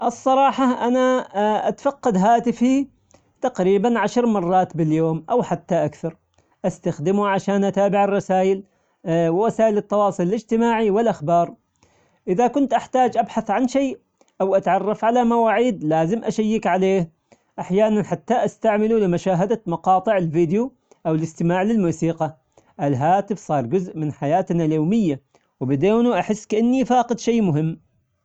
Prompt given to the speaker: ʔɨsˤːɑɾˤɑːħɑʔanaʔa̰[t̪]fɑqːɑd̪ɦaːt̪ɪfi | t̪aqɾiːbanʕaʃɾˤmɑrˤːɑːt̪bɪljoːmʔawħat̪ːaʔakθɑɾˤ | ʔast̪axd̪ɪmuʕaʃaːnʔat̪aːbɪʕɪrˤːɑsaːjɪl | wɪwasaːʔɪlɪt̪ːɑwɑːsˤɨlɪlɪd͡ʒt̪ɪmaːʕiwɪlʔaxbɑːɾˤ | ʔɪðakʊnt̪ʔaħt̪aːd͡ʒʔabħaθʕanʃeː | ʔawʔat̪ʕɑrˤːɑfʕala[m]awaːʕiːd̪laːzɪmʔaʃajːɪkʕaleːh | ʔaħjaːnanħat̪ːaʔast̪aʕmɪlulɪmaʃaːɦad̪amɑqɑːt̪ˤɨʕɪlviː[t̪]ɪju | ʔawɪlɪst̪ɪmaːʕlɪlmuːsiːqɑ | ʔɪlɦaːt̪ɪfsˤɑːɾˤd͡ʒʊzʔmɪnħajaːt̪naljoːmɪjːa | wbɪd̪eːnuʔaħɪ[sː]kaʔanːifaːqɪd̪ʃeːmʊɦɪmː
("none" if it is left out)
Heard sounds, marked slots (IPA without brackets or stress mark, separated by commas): t̪, m, d̪, sː